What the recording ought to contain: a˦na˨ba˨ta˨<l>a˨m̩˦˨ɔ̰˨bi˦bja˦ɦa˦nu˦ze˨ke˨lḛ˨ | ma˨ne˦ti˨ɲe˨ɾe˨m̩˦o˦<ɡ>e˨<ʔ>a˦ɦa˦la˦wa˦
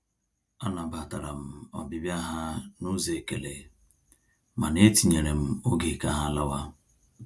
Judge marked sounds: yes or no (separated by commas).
no, yes, no